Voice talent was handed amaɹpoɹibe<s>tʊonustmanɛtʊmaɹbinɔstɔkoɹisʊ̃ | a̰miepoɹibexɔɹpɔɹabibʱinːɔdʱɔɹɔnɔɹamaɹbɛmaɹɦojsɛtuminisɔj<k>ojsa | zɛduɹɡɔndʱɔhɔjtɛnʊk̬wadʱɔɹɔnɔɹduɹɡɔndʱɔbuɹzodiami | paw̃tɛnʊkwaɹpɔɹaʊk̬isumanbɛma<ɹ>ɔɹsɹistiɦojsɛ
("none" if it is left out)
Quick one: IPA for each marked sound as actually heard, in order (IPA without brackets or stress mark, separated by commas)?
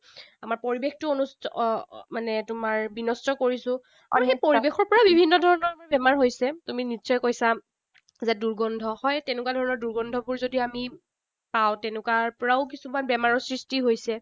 x, k, ɹ